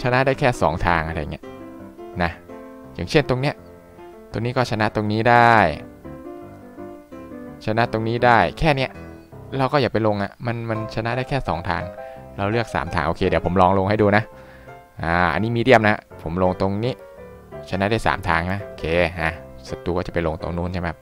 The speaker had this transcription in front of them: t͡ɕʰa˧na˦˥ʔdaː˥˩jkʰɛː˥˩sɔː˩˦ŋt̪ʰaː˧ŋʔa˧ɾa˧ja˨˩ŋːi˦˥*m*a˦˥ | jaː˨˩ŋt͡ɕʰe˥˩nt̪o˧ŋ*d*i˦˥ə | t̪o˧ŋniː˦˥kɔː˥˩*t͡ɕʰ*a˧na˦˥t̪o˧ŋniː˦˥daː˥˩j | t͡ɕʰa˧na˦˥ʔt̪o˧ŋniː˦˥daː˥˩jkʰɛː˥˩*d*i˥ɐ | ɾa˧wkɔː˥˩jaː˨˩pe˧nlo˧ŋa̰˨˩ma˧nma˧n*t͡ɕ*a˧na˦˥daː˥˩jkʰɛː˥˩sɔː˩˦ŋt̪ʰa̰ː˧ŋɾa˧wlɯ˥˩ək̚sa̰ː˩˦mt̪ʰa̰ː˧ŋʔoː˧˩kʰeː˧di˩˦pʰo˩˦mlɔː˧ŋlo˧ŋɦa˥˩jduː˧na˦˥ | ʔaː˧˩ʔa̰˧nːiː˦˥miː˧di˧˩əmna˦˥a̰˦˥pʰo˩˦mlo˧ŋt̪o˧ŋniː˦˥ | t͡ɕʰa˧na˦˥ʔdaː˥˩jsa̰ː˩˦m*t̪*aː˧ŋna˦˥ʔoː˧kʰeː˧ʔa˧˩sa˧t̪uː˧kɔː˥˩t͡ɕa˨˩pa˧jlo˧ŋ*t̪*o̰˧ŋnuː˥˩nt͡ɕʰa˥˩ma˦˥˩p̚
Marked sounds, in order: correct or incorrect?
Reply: incorrect, incorrect, correct, incorrect, incorrect, incorrect, correct

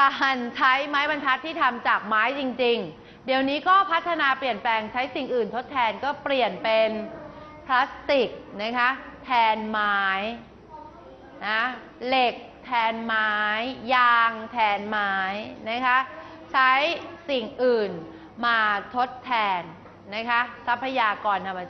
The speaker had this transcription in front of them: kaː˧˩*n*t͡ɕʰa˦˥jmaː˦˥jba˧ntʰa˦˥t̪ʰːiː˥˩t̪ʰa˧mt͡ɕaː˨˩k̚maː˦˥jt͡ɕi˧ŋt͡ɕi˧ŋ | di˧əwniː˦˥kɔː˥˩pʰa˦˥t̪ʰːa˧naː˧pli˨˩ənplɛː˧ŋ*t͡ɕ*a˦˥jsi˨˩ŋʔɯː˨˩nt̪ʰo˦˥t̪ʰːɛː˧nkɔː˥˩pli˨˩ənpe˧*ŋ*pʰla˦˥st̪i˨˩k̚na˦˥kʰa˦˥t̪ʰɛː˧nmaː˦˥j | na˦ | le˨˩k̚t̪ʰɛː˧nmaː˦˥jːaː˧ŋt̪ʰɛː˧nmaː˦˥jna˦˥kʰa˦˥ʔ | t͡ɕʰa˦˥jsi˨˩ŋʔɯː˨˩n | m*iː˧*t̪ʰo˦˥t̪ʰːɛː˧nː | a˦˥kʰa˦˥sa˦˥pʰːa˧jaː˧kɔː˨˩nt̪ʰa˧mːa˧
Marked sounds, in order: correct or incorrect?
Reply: correct, incorrect, incorrect, incorrect

